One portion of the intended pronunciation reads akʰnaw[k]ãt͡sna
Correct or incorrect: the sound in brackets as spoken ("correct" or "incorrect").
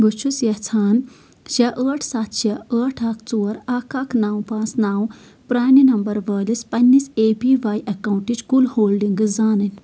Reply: incorrect